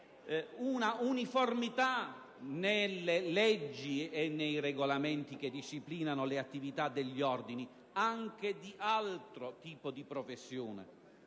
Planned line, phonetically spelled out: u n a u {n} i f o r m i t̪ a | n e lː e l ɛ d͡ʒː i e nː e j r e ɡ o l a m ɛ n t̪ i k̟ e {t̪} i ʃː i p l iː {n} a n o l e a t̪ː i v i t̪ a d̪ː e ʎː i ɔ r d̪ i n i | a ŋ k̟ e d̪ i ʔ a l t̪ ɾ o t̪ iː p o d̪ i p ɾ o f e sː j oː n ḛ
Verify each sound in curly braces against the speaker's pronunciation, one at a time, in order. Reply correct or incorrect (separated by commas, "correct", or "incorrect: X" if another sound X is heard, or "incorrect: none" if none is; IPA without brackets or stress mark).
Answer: correct, incorrect: d̪, correct